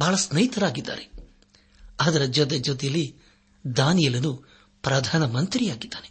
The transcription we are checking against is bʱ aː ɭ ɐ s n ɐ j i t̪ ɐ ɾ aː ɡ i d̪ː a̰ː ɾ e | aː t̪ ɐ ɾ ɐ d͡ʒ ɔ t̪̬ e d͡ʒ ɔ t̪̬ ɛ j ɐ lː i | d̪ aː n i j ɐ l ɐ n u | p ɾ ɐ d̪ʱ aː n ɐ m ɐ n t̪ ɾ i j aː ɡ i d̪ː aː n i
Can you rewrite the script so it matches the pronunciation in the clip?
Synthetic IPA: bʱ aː ɭ ɐ s n ɐ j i t̪ ɐ ɾ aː ɡ i d̪ː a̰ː ɾ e | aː d̪ ɐ ɾ ɐ d͡ʒ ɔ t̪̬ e d͡ʒ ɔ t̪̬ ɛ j ɐ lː i | d̪ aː n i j ɐ l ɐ n u | p ɾ ɐ d̪ʱ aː n ɐ m ɐ n t̪ ɾ i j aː ɡ i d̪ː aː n e